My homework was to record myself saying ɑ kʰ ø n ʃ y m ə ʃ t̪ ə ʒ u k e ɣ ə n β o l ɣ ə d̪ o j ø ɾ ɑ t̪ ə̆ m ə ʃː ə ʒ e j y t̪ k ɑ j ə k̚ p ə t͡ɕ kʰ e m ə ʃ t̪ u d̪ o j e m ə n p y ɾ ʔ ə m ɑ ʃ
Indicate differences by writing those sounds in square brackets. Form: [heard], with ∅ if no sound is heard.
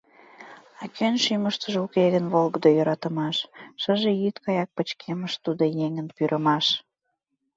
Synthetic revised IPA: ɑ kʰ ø n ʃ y m ə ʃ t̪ ə ʒ u k e ɣ ə n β o l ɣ ə d̪ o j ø ɾ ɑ t̪ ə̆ m [ɑ] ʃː ə ʒ e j y t̪ k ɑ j [ɑ] k̚ p ə t͡ɕ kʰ e m ə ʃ t̪ u d̪ o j e [ŋ] ə n p y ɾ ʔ ə m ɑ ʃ